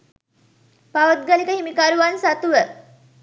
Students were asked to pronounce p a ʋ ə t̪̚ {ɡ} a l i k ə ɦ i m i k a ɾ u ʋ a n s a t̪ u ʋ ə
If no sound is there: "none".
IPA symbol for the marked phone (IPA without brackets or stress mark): ɡ